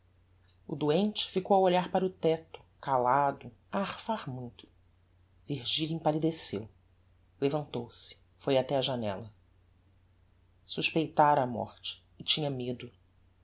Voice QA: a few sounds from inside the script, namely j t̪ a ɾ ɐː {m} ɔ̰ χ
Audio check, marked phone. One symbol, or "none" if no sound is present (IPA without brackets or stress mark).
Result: m